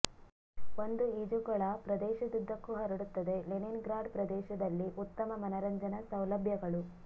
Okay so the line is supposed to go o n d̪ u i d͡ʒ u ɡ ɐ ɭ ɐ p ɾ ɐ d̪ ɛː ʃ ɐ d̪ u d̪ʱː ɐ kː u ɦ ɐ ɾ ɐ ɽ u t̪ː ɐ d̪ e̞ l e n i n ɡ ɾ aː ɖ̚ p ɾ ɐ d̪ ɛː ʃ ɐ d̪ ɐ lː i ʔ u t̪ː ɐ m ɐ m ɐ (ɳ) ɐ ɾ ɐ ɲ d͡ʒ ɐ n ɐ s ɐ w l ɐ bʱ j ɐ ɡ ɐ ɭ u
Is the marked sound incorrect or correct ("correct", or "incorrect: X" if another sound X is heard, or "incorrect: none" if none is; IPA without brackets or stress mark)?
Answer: incorrect: n